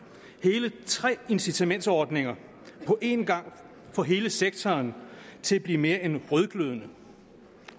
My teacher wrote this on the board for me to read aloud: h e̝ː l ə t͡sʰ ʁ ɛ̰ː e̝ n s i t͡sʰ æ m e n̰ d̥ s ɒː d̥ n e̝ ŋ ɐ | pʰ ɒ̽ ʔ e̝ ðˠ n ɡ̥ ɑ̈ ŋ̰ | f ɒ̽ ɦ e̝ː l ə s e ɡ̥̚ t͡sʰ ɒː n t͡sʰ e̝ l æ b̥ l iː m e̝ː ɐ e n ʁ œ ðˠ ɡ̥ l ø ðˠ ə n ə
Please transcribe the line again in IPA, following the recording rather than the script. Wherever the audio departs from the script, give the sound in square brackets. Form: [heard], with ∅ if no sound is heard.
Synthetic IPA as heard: h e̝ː l ə t͡sʰ ʁ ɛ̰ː e̝ n s i t͡sʰ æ m e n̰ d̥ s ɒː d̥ n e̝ ŋ ɐ | pʰ ɒ̽ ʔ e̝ [∅] n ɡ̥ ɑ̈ ŋ̰ | f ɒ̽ ɦ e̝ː l ə s e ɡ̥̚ t͡sʰ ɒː n t͡sʰ e̝ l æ b̥ l iː m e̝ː ɐ e n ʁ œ ðˠ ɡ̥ l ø ðˠ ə n ə